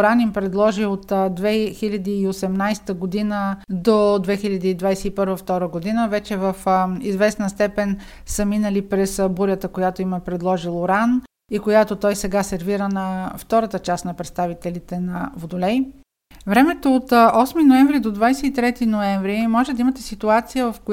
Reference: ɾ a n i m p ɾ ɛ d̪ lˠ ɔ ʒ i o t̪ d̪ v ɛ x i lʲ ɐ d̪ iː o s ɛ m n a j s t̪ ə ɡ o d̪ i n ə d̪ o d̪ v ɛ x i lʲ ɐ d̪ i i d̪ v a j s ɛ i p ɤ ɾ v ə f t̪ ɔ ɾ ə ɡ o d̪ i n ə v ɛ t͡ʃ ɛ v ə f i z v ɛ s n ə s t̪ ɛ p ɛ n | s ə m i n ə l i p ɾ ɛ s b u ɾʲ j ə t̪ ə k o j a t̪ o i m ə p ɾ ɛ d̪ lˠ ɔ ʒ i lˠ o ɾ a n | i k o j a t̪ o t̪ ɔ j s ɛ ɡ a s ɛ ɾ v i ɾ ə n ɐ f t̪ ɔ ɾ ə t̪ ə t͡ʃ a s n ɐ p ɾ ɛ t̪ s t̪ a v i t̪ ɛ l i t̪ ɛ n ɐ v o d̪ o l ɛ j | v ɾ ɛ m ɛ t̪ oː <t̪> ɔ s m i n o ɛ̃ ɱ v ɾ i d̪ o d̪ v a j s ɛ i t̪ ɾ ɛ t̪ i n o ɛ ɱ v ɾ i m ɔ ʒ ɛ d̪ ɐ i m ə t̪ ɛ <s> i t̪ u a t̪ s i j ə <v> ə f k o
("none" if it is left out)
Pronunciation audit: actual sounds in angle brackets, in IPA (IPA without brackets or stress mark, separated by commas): t̪, s, v